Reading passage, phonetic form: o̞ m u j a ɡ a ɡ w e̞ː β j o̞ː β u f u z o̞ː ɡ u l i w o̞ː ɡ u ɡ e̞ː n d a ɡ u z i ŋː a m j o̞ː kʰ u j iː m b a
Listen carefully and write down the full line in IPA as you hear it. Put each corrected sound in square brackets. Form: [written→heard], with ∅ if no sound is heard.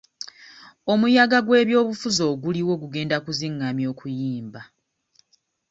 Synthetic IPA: o̞ m u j a ɡ a ɡ w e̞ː β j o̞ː β u f u z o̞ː ɡ u l i w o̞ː ɡ u ɡ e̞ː n d a [ɡ→k] u z i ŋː a m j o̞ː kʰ u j iː m b a